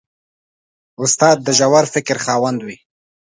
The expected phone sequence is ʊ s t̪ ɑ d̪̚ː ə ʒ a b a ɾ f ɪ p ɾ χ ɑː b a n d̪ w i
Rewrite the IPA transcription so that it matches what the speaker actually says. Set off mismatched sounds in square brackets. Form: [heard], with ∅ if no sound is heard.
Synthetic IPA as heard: ʊ s t̪ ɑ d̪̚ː ə ʒ a [w] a ɾ f ɪ [k] ɾ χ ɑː [w] a n d̪ w i